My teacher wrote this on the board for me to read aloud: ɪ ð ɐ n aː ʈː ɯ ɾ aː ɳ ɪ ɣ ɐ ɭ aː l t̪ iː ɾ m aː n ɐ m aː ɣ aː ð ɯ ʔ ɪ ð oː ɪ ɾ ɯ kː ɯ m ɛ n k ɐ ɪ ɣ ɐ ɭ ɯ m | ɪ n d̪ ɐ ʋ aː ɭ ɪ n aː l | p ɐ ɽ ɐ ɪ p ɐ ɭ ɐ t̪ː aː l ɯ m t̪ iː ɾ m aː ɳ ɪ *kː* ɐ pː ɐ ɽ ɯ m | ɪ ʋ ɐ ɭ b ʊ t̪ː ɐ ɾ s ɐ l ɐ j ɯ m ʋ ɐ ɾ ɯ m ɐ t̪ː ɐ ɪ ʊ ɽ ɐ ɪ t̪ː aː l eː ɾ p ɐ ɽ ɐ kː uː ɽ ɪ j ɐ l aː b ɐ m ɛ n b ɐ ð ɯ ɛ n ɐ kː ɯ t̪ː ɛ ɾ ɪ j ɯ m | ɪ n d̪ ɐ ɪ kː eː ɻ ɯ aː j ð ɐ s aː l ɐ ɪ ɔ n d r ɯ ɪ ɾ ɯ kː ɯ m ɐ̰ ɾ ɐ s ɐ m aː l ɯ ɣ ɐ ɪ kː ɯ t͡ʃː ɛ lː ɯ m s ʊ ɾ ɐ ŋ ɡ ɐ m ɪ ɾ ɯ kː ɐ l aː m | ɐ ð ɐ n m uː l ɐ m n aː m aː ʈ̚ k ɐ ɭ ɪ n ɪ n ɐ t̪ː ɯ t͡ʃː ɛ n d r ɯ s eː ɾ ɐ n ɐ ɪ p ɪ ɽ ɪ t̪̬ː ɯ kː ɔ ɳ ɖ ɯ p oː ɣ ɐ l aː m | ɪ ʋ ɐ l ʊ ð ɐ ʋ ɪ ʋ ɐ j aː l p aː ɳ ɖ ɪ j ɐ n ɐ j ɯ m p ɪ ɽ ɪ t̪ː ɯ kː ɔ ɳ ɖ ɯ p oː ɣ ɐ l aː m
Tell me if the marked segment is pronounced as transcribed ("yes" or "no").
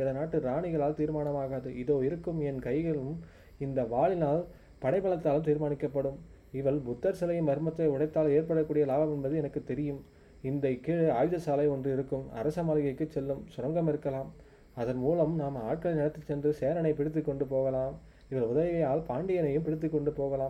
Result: yes